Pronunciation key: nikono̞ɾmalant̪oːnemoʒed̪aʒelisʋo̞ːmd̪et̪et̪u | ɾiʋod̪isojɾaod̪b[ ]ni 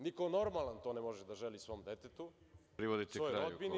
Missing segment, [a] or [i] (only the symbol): i